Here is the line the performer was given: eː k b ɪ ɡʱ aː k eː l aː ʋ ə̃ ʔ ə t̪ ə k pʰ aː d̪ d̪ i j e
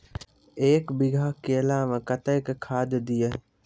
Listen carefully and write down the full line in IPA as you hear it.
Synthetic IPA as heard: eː k b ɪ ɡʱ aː k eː l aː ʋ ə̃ k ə t̪ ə k kʰ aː d̪ d̪ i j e